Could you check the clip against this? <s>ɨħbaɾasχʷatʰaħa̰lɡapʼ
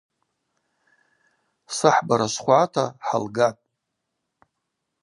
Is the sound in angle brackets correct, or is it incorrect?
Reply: correct